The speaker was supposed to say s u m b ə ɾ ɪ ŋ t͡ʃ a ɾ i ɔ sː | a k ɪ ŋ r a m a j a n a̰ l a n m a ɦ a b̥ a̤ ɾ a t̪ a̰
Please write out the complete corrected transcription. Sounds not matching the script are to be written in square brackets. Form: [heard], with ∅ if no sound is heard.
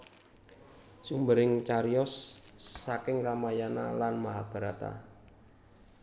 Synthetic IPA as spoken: s u m b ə ɾ ɪ ŋ t͡ʃ a ɾ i ɔ sː | a k ɪ ŋ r a m a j a n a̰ l a n m a ɦ a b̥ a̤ ɾ a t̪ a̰